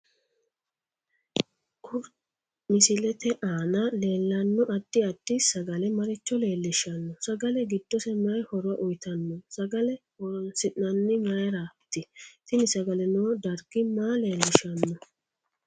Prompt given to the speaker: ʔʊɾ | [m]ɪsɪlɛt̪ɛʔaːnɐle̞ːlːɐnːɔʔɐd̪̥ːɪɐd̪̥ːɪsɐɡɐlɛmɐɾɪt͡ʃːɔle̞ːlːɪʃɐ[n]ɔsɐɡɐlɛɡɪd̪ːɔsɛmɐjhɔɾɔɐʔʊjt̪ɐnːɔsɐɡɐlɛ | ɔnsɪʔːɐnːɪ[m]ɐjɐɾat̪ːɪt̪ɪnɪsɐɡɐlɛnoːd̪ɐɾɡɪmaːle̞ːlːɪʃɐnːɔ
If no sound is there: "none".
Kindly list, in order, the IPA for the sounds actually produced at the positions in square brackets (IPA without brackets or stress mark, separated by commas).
m, nː, m